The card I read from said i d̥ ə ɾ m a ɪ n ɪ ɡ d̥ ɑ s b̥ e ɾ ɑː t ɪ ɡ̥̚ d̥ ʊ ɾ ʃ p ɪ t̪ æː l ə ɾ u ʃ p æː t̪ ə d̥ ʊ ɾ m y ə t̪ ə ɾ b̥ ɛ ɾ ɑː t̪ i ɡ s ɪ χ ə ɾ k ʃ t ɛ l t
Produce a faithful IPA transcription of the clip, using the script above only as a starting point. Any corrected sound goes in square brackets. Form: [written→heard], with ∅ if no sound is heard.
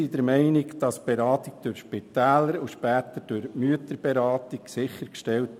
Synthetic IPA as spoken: i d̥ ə ɾ m [a→ɛ] ɪ n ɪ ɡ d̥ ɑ s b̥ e ɾ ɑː t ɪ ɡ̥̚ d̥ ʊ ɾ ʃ p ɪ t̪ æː l ə ɾ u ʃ p æː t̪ ə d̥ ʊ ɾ m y ə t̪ ə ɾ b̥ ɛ ɾ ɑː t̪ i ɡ s ɪ χ ə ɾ k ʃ t ɛ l t